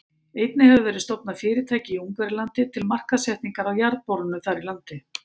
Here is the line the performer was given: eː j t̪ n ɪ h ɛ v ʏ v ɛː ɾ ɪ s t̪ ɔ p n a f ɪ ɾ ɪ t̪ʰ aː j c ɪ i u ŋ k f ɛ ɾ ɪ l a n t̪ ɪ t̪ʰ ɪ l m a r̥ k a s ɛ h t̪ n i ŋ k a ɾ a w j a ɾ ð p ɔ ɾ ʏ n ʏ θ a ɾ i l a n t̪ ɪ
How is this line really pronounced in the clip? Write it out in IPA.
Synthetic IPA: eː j t̪ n ɪ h ɛ v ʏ v ɛː ɾ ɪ s t̪ ɔ p n a f ɪː ɾ ɪ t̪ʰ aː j c ɪ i u ŋ k v ɛ ɾ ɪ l a n t̪ ɪ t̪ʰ ɪ l m a r̥ k a s ɛ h t̪ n i ŋ k a ɾ a w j a ɾ ð p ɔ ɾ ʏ n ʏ θ a ɾ i l a n t̪ ɪ